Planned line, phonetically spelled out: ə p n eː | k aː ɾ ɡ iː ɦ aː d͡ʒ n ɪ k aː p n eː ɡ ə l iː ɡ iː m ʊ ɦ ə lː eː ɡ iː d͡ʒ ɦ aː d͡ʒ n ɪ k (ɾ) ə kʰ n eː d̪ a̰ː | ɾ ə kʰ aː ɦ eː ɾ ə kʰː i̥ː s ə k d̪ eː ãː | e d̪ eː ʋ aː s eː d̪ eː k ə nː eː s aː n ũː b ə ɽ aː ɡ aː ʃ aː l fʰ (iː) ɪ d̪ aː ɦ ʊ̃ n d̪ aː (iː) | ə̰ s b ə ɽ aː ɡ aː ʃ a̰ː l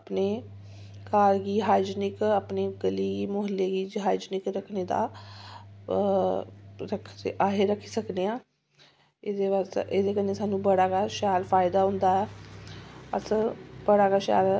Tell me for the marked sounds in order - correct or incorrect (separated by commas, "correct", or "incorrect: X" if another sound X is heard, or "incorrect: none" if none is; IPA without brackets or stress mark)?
correct, incorrect: aː, incorrect: ɛː